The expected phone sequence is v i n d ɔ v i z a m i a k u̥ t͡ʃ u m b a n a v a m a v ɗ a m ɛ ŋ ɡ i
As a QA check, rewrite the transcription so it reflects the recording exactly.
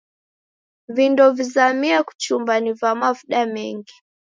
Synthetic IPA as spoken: v i n d ɔ v i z a m i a k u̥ t͡ʃ u m b a n i v a m a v ɗ a m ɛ ŋ ɡ i